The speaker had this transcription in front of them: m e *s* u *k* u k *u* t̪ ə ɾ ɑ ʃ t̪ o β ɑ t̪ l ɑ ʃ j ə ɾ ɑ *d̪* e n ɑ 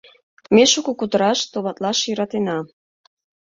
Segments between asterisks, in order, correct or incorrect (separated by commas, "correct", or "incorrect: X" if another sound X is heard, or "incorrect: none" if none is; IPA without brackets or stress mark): incorrect: ʃ, correct, correct, incorrect: t̪